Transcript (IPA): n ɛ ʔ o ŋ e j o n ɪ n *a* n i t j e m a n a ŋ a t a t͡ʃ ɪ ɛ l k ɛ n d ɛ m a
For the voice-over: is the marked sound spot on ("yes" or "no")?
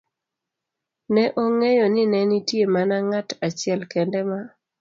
no